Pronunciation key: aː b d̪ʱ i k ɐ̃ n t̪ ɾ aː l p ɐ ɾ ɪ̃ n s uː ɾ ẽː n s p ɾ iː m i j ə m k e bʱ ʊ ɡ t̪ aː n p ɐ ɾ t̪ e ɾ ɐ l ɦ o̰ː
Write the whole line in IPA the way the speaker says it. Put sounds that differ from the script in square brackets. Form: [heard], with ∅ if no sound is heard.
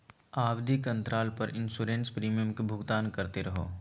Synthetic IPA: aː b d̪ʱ i k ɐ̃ n t̪ ɾ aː l p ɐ ɾ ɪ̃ n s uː ɾ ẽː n s p ɾ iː m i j ə m k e bʱ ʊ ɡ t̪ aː n [k] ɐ ɾ t̪ e ɾ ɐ [∅] ɦ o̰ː